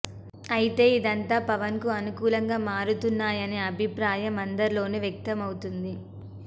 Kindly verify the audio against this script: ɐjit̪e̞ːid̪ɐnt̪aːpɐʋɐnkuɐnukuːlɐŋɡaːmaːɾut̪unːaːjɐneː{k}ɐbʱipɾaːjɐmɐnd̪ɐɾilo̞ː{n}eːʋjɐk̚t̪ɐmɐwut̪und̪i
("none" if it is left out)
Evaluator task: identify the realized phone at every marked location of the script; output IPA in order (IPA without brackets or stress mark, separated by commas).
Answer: none, n